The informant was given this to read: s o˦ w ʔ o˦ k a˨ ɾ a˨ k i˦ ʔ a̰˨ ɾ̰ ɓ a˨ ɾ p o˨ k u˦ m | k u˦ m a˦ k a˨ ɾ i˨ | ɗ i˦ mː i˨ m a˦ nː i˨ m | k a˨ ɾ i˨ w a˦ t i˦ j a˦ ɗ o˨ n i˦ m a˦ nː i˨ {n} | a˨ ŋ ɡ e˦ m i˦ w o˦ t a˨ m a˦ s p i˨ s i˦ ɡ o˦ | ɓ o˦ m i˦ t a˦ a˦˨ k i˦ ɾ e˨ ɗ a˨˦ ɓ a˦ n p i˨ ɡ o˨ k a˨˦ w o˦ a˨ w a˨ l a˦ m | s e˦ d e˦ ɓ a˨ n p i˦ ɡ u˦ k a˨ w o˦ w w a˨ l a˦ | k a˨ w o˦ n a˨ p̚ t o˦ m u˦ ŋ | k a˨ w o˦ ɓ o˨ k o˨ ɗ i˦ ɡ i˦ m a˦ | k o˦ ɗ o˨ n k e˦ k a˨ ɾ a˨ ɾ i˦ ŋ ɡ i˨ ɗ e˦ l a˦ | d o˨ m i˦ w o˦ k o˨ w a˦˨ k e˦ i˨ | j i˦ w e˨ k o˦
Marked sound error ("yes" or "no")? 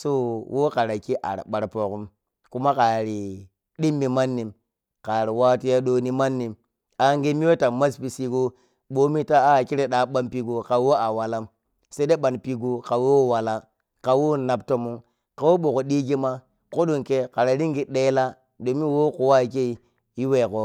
yes